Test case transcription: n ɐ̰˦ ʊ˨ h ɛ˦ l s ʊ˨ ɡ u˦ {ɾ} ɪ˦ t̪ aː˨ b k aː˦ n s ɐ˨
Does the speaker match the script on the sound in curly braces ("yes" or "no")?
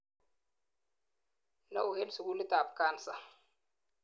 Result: no